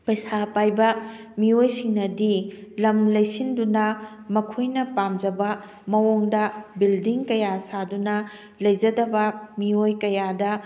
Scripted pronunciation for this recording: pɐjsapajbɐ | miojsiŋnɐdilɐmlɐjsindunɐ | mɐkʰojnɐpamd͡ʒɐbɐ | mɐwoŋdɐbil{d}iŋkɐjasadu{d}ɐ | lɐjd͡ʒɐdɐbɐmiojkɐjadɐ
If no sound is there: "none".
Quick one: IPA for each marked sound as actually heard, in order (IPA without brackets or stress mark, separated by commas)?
d, n